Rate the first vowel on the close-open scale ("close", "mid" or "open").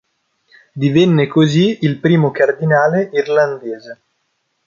close